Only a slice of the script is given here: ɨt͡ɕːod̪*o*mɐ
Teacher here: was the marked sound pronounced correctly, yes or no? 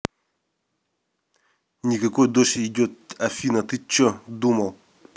no